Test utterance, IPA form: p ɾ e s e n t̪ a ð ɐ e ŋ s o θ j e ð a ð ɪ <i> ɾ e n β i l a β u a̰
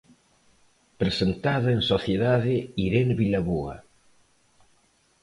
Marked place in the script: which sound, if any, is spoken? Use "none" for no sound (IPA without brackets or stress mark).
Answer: i